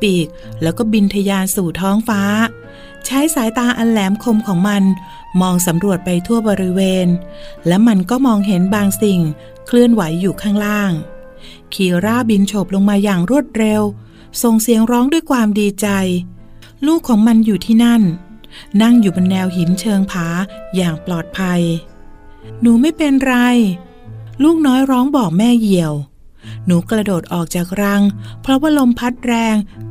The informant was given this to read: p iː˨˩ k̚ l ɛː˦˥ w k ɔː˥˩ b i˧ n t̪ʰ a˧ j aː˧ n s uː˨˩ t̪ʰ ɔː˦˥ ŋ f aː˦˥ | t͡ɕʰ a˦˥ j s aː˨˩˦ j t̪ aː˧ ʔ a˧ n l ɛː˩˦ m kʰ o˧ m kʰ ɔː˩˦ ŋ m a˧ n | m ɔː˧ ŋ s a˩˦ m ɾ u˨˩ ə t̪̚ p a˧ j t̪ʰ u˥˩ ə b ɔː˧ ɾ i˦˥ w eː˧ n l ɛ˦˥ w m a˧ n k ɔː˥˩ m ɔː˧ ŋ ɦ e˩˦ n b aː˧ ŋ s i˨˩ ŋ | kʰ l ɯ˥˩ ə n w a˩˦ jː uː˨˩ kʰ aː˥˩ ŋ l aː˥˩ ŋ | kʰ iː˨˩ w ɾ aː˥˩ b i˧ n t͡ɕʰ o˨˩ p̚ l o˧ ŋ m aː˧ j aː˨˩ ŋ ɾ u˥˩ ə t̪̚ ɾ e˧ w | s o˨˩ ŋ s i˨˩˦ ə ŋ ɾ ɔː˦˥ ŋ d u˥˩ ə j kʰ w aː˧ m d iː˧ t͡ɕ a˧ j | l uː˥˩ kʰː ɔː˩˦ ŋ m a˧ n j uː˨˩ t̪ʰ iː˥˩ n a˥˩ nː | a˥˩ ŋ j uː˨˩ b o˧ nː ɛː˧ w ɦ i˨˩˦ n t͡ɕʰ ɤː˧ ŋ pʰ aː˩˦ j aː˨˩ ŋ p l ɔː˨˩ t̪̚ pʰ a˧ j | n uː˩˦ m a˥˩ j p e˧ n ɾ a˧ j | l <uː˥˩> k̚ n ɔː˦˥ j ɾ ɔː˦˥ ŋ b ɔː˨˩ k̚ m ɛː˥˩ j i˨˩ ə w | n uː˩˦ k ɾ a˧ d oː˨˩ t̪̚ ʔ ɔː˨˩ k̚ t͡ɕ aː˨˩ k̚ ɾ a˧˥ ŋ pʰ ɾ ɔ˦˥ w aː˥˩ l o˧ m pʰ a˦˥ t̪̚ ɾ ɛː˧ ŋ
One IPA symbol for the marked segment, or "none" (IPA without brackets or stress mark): uː˥˩